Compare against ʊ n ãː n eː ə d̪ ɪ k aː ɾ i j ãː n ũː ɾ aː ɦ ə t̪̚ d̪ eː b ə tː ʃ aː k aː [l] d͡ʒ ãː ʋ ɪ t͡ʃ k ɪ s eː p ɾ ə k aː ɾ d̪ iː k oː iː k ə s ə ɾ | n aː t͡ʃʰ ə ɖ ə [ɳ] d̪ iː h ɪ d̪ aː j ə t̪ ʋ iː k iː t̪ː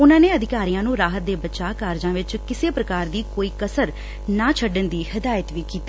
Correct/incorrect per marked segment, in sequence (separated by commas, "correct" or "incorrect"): incorrect, incorrect